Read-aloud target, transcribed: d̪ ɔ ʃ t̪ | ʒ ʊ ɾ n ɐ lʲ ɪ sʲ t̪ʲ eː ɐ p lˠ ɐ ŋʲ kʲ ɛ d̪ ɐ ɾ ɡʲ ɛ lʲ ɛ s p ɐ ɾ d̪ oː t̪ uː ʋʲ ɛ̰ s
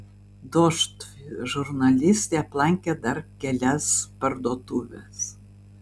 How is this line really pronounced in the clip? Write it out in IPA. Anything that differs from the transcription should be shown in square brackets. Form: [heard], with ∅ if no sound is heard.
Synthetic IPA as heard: d̪ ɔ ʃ t̪ | ʒ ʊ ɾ n ɐ lʲ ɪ sʲ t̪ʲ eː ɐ p lˠ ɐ ŋʲ kʲ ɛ d̪ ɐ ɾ [kʲ] ɛ lʲ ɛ s p ɐ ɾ d̪ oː t̪ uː ʋʲ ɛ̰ s